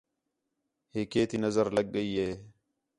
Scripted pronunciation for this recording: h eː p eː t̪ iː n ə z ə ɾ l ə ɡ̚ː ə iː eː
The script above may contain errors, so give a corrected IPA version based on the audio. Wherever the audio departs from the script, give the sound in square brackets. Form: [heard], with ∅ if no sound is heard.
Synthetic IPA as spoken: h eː [k] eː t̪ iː n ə z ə ɾ l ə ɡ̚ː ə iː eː